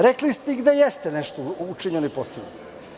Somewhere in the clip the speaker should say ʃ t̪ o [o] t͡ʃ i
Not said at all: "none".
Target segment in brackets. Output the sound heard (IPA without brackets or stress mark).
u